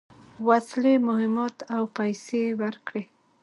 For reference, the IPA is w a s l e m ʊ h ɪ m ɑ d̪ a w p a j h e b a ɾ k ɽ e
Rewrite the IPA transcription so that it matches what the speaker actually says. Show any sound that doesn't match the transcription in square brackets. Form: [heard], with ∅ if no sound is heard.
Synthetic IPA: w a s l e m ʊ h ɪ m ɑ [t̪] a w p a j [s] e [w] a ɾ k ɽ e